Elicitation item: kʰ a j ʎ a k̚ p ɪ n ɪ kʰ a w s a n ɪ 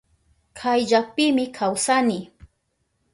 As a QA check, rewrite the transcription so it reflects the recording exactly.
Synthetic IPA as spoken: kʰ a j ʎ a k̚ p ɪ m ɪ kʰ a w s a n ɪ